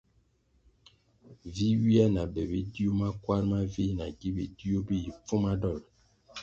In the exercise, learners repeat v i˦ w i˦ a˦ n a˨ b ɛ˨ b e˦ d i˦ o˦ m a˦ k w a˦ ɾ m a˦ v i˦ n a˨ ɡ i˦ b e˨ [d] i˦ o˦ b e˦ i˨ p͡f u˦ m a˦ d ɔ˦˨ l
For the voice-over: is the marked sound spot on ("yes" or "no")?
yes